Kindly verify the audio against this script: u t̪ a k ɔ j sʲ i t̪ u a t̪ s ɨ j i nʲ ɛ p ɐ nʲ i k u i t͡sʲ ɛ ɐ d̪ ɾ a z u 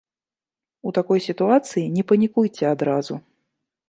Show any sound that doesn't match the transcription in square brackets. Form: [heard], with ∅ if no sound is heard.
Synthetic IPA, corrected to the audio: u t̪ a k ɔ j sʲ i t̪ u a t̪ s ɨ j i nʲ ɛ p ɐ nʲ i k u [j] t͡sʲ ɛ [a] d̪ ɾ a z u